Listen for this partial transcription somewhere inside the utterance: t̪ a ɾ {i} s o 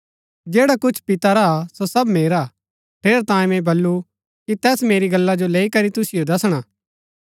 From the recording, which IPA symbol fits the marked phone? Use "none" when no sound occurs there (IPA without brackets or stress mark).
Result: a